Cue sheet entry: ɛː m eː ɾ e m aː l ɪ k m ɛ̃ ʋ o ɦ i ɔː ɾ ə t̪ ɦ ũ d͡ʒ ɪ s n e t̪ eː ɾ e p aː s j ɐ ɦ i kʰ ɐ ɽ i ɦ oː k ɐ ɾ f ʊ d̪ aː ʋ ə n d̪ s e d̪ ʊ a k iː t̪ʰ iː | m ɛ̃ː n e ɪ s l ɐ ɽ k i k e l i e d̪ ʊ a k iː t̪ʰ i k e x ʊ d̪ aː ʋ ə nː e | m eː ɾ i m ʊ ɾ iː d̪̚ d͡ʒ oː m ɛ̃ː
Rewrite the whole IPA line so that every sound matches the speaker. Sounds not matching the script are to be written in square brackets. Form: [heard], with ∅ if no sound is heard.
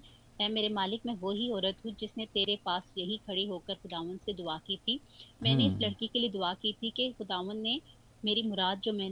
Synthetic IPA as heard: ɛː m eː ɾ e m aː l ɪ k m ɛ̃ ʋ o ɦ i ɔː ɾ ə t̪ ɦ ũ d͡ʒ ɪ s n e t̪ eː ɾ e p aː s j ɐ ɦ i kʰ ɐ ɽ i ɦ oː k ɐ ɾ [x] ʊ d̪ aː ʋ ə n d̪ s e d̪ ʊ a k iː t̪ʰ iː | m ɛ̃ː n e ɪ s l ɐ ɽ k i k e l i e d̪ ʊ a k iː t̪ʰ i k e x ʊ d̪ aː ʋ ə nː e | m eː ɾ i m ʊ ɾ [aː] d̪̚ d͡ʒ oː m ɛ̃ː